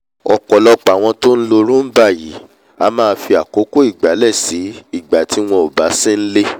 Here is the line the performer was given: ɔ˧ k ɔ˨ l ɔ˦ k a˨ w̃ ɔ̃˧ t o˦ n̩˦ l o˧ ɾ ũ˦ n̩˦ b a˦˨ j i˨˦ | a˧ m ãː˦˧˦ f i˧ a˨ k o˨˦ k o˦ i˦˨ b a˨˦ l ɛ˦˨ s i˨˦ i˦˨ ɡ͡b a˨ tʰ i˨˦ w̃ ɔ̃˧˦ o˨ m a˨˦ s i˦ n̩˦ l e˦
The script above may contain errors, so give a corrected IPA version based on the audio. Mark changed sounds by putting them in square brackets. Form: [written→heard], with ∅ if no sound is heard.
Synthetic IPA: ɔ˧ k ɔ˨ l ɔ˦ [k→k͡p] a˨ w̃ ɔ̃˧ t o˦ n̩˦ l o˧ ɾ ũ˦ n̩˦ b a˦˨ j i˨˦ | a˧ m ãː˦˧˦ f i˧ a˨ k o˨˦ k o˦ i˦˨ [b→ɡ͡b] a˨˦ l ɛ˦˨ s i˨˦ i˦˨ ɡ͡b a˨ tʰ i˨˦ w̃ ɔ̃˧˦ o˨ [m→b] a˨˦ s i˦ n̩˦ l e˦

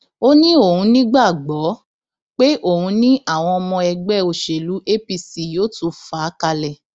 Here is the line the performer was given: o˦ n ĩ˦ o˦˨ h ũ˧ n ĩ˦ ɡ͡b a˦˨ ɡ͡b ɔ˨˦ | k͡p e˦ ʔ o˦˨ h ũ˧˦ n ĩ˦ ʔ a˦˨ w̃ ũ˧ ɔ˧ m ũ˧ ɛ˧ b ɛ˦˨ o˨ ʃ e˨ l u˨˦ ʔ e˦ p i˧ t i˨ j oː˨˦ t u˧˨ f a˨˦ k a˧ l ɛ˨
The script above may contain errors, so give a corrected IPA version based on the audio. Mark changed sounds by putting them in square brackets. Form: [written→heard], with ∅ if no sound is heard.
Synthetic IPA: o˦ n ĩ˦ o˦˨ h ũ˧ n ĩ˦ ɡ͡b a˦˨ ɡ͡b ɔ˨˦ | k͡p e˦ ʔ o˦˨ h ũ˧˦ n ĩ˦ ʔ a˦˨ w̃ [ũ˧→ɔ̃˧] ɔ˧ m [ũ˧→ɔ̃˧] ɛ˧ [b→ɡ͡b] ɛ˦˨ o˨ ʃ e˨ l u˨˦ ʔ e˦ p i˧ [t→s] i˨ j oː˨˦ t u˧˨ f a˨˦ k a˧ l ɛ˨

